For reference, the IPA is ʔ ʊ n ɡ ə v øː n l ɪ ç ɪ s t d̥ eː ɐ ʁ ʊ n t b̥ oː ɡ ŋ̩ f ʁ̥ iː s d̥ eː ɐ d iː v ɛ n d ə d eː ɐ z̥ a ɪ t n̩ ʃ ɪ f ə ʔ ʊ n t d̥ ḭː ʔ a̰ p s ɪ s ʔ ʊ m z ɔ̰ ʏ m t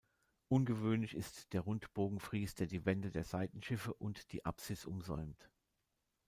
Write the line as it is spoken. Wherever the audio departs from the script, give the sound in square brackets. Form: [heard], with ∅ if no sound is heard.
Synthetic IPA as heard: ʔ ʊ n ɡ ə v øː n l ɪ ç ɪ s t d̥ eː ɐ ʁ ʊ n t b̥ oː ɡ ŋ̩ f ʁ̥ iː s d̥ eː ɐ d iː v ɛ n d ə d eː ɐ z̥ a ɪ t n̩ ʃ ɪ f ə ʔ ʊ n t d̥ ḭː ʔ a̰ p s ɪ s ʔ ʊ m z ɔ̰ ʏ m t